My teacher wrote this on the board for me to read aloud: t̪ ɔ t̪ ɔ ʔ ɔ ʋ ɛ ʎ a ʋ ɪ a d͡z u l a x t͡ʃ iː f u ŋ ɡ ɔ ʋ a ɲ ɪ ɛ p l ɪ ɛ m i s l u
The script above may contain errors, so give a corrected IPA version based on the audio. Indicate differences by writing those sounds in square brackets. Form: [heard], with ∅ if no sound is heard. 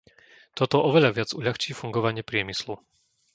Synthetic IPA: t̪ ɔ t̪ ɔ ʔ ɔ ʋ ɛ ʎ a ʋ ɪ a d͡z u [ʎ] a x t͡ʃ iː f u ŋ ɡ ɔ ʋ a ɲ ɪ ɛ p [ɾ] ɪ ɛ m i s l u

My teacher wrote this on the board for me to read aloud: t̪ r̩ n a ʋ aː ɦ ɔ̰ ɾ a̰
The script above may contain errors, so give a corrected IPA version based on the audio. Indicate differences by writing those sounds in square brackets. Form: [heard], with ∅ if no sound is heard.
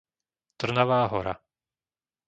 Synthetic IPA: t̪ r̩ n a ʋ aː ɦ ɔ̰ ɾ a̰

